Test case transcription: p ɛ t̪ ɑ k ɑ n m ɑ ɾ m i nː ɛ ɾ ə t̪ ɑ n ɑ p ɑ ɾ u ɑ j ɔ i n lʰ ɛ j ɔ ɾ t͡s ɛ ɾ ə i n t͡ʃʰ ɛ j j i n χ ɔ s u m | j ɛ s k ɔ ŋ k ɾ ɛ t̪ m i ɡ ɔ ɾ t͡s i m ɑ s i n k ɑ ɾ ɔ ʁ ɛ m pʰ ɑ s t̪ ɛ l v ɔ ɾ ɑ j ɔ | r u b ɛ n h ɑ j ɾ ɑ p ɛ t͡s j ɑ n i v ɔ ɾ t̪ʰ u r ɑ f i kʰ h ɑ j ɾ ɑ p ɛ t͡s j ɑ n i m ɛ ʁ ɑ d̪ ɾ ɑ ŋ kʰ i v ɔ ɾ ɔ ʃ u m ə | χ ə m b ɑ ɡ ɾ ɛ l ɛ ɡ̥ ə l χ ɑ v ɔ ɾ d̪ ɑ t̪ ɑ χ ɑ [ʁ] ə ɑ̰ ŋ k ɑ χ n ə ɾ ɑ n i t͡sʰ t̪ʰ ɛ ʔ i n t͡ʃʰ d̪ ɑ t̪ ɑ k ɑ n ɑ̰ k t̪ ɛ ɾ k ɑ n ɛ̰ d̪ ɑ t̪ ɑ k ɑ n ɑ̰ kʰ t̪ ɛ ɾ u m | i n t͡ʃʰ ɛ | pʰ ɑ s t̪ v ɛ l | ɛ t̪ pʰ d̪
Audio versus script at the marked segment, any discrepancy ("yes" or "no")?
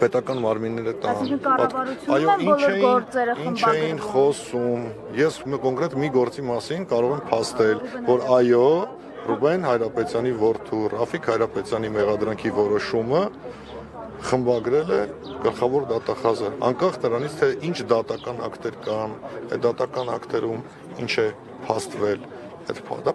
yes